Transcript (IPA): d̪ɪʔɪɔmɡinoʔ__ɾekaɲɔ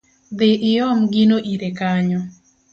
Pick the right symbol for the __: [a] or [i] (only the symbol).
i